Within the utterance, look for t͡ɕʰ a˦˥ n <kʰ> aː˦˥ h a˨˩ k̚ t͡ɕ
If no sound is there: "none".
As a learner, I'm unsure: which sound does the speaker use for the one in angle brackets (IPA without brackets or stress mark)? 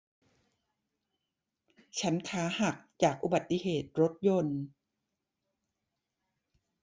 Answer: kʰ